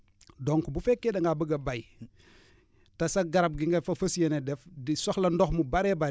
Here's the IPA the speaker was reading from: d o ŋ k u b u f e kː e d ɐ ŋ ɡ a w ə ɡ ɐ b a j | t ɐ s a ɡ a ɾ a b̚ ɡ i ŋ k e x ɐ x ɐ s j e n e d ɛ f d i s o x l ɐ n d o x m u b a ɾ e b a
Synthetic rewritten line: d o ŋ k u b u f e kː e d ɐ ŋ ɡ a b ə ɡ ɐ b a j | t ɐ s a ɡ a ɾ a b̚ ɡ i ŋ ɡ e f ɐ f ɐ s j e n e d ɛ f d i s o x l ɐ n d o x m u b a ɾ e b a

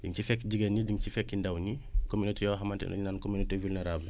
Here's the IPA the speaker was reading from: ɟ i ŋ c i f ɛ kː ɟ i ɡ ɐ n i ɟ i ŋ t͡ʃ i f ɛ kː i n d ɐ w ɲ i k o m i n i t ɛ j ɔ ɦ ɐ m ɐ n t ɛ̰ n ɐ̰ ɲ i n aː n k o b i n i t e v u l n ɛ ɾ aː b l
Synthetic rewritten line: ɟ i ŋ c i f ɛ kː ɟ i ɡ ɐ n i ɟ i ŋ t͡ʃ i f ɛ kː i n d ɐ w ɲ i k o m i n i t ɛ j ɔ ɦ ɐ m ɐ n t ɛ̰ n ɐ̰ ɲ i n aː n k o m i n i t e v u l n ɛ ɾ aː b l

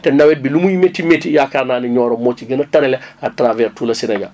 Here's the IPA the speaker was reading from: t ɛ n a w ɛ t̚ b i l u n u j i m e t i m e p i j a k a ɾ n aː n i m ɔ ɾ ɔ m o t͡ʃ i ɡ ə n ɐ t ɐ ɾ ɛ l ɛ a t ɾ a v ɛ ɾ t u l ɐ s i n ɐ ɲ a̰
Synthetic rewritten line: t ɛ n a w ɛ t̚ b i l u m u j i m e t i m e t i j a k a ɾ n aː n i ɲ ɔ ɾ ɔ m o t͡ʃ i ɡ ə n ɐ t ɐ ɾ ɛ l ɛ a t ɾ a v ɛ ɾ t u l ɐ s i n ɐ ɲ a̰

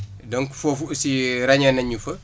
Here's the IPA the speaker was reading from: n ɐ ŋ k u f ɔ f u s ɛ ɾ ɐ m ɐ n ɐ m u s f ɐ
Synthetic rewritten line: d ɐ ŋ k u f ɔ f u s i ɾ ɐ ɲ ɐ n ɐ ɲ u f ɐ

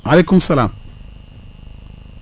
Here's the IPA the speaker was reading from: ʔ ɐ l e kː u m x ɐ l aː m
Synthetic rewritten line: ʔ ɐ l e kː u m s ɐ l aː m

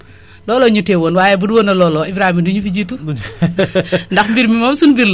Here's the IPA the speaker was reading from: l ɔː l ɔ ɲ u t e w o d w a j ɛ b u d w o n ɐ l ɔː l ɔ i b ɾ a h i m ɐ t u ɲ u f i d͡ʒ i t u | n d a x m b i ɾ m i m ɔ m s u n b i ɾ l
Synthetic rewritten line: l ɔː l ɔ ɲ u t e w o n w a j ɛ b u d w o n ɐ l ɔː l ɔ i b ɾ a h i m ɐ d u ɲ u f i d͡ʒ i t u | n d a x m b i ɾ m i m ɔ m s u n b i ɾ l

